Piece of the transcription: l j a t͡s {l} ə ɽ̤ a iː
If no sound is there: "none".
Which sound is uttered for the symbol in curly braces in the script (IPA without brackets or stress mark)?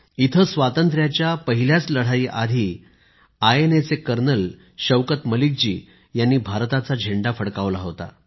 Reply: l